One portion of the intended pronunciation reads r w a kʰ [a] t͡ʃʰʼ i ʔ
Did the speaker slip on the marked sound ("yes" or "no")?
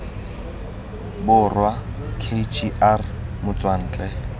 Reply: yes